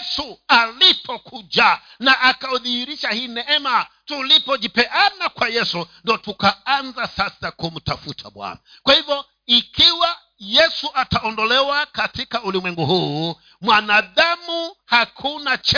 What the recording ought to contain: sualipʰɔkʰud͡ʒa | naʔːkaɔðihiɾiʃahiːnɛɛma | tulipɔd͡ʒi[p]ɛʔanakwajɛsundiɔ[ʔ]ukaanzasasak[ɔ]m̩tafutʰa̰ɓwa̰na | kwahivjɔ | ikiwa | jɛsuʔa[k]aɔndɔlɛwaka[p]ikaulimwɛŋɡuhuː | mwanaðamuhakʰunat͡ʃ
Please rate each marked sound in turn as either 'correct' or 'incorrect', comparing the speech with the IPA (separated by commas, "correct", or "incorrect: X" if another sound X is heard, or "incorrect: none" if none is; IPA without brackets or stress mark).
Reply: correct, incorrect: t, incorrect: u, incorrect: t, incorrect: t